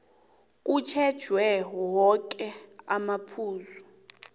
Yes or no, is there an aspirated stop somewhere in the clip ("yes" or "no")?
yes